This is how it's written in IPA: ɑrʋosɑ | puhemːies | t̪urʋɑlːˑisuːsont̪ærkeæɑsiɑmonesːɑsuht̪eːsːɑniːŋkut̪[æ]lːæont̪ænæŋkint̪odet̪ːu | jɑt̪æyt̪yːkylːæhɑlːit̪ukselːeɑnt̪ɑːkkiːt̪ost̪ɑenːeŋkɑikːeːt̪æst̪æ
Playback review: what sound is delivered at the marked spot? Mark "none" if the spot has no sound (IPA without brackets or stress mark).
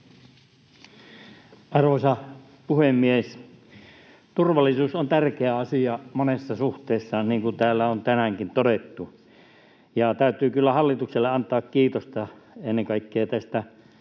æː